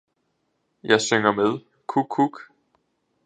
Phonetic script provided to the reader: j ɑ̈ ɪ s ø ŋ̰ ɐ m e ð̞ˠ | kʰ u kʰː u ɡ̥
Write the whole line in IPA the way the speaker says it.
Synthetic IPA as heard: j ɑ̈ ɪ s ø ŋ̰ ɐ m e ð̞ˠ | kʰ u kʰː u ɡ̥